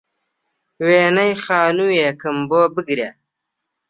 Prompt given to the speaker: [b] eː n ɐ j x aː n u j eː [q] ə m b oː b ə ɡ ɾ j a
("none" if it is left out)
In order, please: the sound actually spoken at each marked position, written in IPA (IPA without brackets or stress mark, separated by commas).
w, k